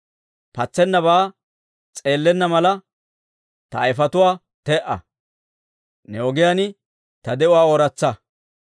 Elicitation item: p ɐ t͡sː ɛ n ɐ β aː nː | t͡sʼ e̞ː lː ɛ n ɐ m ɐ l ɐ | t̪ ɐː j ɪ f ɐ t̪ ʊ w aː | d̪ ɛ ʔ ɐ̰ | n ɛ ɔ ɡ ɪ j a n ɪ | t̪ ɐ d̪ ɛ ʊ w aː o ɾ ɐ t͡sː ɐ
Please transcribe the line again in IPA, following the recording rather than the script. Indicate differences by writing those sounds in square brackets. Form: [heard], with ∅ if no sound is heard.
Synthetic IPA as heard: p ɐ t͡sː ɛ [nː] ɐ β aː [∅] | t͡sʼ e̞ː lː ɛ [nː] ɐ m ɐ l ɐ | t̪ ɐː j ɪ f ɐ t̪ ʊ w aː | [t̪] ɛ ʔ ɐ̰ | n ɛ ɔ ɡ ɪ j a n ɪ | t̪ ɐ d̪ ɛ ʊ w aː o ɾ ɐ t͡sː ɐ